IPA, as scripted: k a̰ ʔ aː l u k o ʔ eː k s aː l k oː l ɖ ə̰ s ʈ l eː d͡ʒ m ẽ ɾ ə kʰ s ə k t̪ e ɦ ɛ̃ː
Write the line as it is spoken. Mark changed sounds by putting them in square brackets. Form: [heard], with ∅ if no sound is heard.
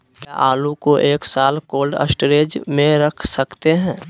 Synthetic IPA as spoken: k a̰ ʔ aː l u k o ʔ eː k s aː l k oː l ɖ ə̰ s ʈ [ɾ] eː d͡ʒ m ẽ ɾ ə kʰ s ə k t̪ e ɦ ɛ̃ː